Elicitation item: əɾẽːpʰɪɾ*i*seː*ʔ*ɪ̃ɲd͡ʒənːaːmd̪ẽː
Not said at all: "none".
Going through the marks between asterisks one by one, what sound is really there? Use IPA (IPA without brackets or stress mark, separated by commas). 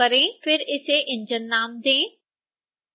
ɪ, ʔ